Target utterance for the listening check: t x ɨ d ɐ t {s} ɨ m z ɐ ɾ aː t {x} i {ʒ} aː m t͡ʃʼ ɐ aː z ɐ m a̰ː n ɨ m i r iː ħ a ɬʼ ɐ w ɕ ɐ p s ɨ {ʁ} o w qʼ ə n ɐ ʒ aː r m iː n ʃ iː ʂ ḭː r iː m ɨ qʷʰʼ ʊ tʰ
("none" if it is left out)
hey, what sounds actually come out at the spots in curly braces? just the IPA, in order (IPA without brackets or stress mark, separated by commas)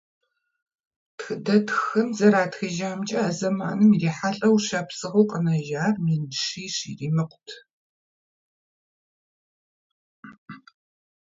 x, x, ʒ, ʁ